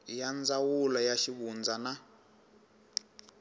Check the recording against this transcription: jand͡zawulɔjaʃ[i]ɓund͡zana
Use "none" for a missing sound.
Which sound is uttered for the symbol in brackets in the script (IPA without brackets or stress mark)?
i